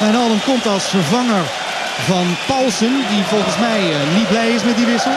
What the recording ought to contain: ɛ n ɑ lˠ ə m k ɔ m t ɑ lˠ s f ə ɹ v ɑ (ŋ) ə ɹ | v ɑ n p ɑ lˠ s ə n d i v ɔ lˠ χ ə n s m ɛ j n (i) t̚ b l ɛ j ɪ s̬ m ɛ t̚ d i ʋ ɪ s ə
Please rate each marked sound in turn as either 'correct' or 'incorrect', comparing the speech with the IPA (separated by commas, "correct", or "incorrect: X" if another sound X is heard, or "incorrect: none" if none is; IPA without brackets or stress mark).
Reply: correct, correct